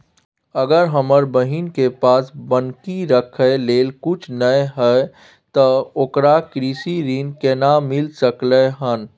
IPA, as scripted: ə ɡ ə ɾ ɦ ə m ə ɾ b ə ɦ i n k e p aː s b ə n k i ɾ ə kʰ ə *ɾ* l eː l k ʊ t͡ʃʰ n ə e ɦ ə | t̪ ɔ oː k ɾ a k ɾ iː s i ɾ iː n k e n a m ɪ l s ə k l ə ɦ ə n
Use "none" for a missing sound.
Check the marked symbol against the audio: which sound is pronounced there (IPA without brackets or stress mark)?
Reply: none